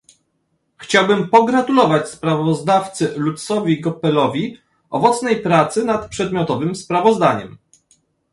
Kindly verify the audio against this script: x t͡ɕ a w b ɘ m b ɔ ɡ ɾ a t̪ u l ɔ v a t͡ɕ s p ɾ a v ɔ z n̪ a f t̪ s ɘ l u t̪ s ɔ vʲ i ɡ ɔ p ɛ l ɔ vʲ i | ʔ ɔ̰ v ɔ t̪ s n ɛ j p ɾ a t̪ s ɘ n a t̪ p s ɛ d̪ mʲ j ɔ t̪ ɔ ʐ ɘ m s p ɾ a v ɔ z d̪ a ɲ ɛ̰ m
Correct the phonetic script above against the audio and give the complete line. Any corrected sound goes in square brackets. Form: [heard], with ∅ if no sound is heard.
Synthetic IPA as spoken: x t͡ɕ a w b ɘ m [p] ɔ ɡ ɾ a t̪ u l ɔ v a t͡ɕ s p ɾ a v ɔ z [d̪] a f t̪ s ɘ l u t̪ s ɔ vʲ i ɡ ɔ p ɛ l ɔ vʲ i | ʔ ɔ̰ v ɔ t̪ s n ɛ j p ɾ a t̪ s ɘ n a t̪ p [ʂ] ɛ d̪ mʲ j ɔ t̪ ɔ [v] ɘ m s p ɾ a v ɔ z d̪ a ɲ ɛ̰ m